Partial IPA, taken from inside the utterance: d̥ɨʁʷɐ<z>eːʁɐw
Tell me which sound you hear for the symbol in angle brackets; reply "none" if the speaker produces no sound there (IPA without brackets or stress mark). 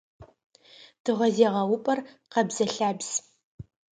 z